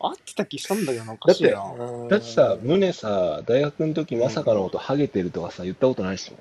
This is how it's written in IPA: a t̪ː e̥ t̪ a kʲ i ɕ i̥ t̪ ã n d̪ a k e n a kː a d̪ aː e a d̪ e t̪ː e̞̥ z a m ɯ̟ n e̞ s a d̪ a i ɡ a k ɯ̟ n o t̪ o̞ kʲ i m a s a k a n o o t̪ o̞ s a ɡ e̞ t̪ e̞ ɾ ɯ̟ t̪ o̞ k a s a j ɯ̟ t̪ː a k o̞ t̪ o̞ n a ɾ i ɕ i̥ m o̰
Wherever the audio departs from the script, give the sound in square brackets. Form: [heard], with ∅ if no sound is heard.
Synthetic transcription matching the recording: a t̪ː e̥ t̪ a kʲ i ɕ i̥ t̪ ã n d̪ a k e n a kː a d̪ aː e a d̪ [a] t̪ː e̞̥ [s] a m ɯ̟ n e̞ s a d̪ a i ɡ a k ɯ̟ n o t̪ o̞ kʲ i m a s a k a n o o t̪ o̞ [h] a ɡ e̞ t̪ e̞ ɾ ɯ̟ t̪ o̞ k a s a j ɯ̟ t̪ː a k o̞ t̪ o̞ n a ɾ i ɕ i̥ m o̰